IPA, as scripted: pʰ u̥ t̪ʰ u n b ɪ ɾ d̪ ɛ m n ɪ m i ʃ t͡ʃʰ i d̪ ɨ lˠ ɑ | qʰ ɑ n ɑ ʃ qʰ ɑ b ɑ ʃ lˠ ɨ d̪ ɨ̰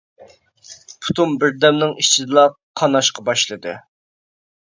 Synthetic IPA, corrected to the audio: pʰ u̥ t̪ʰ u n b ɪ ɾ d̪ ɛ m n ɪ ŋ i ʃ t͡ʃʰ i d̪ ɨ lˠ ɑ | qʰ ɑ n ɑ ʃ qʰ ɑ b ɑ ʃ lˠ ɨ d̪ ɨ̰